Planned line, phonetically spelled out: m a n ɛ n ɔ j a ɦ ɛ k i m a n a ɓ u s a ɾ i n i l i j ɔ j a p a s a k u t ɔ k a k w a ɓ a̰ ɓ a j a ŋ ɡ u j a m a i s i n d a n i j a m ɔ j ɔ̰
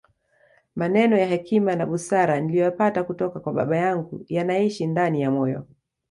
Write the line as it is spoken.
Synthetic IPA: m a n ɛ n ɔ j a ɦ ɛ k i m a n a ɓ u s a ɾ a n i l i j ɔ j a p a t a k u t ɔ k a k w a ɓ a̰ ɓ a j a ŋ ɡ u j a n a i ʃ i n d a n i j a m ɔ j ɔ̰